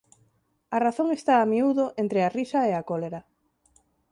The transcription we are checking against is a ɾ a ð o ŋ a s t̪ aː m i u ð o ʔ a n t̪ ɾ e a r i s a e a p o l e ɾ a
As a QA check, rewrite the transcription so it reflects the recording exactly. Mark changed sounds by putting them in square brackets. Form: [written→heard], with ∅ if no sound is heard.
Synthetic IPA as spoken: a [ɾ→r] a [ð→θ] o ŋ [a→e] s t̪ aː m i u ð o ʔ [a→e] n t̪ ɾ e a r i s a e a [p→k] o l e ɾ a